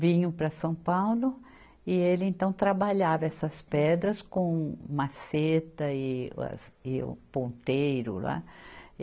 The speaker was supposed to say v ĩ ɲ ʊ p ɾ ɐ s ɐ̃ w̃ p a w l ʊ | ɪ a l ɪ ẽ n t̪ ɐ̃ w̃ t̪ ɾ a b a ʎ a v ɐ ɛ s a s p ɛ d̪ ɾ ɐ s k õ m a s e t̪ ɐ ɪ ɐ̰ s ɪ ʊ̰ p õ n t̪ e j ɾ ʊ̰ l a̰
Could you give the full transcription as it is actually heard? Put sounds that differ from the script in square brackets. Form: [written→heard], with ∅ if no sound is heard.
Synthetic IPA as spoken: v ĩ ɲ ʊ p ɾ ɐ s ɐ̃ w̃ p a w l ʊ | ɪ [a→e] l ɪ ẽ n t̪ ɐ̃ w̃ t̪ ɾ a b a ʎ a v ɐ ɛ s [a→ɐ] s p ɛ d̪ ɾ ɐ s k õ m a s e t̪ ɐ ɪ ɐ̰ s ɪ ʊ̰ p õ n t̪ e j ɾ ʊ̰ l a̰